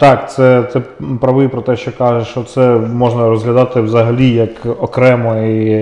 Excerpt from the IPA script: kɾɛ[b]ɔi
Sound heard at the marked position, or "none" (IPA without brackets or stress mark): m